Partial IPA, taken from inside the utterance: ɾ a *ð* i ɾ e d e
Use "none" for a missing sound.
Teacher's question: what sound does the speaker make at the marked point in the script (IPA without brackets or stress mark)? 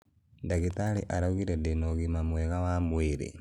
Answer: ɣ